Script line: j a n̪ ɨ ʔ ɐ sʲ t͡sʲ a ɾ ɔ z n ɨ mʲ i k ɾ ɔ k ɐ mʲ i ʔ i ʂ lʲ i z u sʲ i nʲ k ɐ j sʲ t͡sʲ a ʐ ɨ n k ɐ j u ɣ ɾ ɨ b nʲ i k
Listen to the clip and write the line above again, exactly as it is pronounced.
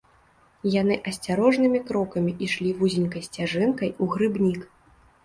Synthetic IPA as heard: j a n̪ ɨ ʔ ɐ sʲ t͡sʲ a ɾ ɔ ʐ n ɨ mʲ i k ɾ ɔ k ɐ mʲ i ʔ i ʂ lʲ i v u zʲ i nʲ k ɐ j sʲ t͡sʲ a ʐ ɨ n k ɐ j u ɣ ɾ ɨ b nʲ i k